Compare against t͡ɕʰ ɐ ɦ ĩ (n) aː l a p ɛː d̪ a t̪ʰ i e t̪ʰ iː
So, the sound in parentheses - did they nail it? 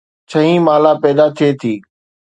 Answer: no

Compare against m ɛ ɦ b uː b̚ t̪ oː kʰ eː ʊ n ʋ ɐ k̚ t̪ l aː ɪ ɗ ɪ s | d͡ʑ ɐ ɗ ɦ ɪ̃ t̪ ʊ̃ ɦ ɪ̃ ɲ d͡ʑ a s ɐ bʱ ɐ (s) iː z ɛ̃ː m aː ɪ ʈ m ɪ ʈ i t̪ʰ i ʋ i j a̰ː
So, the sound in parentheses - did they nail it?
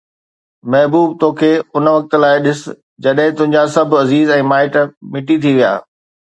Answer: no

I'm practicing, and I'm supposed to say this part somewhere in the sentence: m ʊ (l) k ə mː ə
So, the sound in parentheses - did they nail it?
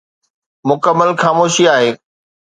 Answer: no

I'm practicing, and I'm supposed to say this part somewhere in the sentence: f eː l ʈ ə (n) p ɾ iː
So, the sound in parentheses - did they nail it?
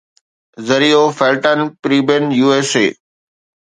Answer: yes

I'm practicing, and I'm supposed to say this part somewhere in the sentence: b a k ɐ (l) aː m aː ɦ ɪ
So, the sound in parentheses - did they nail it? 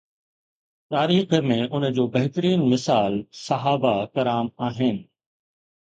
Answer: no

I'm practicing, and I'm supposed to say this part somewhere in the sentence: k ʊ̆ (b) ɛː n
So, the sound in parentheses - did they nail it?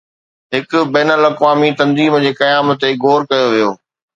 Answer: yes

